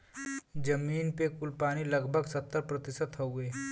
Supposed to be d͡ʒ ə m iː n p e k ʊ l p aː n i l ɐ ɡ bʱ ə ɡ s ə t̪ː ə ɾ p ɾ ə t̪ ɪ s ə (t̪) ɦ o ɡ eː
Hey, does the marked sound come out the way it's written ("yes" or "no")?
yes